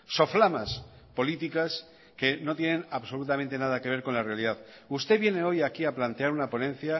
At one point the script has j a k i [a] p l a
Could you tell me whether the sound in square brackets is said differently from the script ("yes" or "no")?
no